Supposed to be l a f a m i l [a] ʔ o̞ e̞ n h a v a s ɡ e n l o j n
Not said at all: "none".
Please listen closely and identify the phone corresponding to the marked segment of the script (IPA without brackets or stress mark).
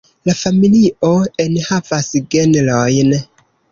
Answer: i